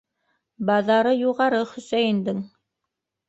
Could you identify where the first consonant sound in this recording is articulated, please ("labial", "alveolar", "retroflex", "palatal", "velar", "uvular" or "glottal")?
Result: labial